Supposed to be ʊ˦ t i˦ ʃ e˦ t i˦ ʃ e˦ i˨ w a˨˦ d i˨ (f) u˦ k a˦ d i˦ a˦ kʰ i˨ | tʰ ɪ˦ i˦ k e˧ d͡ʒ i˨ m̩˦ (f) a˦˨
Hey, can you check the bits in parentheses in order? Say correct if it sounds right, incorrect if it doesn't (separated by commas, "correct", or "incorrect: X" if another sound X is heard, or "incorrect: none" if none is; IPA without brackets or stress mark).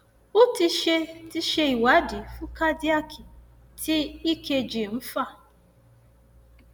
correct, correct